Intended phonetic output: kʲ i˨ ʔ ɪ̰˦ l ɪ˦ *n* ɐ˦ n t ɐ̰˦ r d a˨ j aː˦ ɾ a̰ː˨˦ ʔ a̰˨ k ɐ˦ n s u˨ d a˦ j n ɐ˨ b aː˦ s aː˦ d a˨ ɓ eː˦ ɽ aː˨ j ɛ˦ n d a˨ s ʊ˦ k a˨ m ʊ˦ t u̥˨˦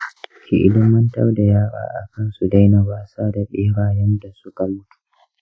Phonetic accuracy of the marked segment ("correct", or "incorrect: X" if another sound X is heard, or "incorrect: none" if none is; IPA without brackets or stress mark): incorrect: m